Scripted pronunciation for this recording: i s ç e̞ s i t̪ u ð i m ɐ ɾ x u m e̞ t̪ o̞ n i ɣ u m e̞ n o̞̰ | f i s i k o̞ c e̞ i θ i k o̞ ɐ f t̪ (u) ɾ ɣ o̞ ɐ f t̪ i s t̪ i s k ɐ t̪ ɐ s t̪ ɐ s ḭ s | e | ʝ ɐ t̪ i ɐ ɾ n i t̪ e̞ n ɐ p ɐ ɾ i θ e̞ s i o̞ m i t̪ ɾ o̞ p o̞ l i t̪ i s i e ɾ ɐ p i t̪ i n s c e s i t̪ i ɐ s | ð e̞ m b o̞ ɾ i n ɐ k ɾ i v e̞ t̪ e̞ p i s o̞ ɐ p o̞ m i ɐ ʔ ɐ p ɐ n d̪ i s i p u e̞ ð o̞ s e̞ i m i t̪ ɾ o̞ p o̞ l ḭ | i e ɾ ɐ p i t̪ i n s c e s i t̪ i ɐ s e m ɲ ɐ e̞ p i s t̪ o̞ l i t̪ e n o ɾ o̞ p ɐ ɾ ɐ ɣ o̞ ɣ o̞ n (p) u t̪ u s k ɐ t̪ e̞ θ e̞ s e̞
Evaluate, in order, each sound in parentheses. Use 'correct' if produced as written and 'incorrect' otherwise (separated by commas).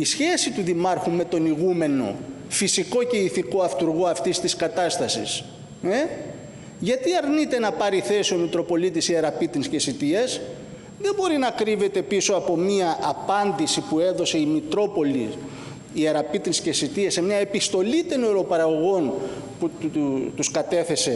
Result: correct, correct